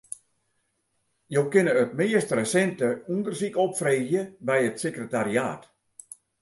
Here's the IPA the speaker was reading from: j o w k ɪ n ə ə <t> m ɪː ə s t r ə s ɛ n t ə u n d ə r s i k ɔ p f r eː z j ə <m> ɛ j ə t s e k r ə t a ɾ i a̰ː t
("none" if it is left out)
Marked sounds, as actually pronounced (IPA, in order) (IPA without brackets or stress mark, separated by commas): t, b